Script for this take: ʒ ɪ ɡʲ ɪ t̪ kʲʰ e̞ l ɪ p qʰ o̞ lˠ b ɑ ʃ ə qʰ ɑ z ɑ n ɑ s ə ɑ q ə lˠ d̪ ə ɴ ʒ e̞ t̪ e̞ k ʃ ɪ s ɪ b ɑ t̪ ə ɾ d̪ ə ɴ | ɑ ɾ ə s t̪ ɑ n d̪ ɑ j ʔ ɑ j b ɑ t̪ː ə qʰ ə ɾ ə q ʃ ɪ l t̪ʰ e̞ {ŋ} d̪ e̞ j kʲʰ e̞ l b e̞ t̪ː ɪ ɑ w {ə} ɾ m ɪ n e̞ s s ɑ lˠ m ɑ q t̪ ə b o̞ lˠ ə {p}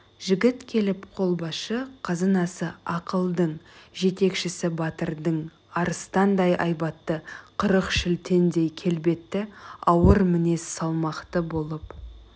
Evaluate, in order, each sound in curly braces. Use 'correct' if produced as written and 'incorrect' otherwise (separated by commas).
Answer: incorrect, correct, correct